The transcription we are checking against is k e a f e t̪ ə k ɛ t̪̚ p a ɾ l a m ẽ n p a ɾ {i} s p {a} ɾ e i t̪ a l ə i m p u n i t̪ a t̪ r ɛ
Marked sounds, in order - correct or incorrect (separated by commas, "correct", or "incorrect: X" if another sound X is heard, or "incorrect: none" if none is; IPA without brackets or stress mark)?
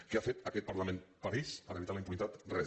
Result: correct, incorrect: ə